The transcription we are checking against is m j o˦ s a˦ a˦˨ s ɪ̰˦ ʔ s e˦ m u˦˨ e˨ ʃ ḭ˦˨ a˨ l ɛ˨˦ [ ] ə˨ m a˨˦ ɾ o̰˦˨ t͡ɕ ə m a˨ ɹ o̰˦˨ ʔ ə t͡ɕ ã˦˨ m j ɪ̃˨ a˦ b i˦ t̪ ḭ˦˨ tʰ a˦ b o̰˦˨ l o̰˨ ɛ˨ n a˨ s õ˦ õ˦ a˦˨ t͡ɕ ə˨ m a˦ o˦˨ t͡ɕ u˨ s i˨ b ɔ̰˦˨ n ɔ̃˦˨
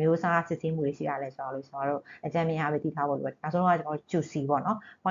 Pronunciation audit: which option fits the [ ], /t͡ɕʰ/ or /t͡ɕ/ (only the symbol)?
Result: t͡ɕ